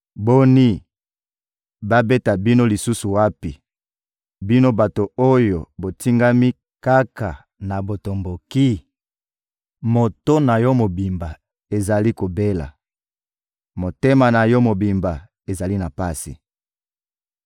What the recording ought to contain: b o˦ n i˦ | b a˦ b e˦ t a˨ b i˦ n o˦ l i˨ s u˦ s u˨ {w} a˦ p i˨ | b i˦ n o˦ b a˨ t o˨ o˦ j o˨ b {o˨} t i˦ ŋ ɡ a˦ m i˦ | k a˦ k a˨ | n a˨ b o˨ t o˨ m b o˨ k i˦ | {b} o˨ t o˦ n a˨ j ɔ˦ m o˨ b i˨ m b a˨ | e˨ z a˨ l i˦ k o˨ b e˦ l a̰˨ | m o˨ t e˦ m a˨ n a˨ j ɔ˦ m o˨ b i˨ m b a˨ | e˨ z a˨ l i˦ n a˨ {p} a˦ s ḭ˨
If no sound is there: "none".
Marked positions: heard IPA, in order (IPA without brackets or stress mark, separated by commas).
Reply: w, o˨, m, p